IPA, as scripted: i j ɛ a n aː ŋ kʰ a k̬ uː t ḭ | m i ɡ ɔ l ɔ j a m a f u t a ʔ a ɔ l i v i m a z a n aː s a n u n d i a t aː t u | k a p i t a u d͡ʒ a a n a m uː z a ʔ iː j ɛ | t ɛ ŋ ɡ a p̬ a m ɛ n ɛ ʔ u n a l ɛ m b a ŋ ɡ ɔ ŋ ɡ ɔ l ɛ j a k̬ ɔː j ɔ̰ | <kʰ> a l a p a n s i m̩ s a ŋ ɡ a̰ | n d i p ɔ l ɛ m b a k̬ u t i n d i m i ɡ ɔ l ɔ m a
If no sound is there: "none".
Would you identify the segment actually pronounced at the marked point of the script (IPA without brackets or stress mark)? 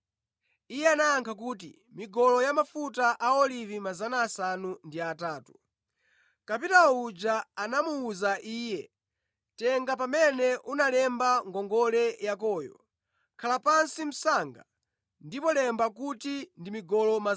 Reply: kʰ